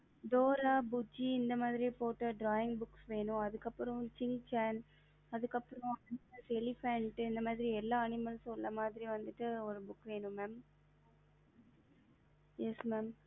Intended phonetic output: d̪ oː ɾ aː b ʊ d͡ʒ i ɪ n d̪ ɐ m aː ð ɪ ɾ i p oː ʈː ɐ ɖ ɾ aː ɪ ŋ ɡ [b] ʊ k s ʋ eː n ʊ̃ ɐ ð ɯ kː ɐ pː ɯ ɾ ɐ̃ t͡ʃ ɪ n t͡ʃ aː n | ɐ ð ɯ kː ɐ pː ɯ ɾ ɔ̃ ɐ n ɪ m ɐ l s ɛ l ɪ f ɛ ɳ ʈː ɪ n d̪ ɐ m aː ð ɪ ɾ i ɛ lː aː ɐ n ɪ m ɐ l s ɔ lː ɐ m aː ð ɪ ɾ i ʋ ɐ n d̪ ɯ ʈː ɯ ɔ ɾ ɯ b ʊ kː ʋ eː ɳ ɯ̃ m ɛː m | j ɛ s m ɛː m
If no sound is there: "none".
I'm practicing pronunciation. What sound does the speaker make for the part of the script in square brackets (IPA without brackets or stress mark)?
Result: b